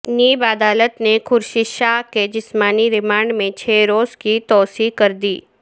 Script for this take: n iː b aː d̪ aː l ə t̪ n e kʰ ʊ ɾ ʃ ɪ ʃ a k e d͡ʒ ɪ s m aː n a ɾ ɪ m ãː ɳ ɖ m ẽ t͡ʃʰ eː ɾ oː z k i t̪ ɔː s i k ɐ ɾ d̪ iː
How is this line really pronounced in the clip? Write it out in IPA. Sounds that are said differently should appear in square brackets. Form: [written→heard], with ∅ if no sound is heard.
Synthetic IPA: n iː b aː d̪ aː l ə t̪ n e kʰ ʊ ɾ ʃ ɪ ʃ a k e d͡ʒ ɪ s m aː n [a→i] ɾ ɪ m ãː ɳ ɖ m ẽ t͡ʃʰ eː ɾ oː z k i t̪ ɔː s i k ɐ ɾ d̪ iː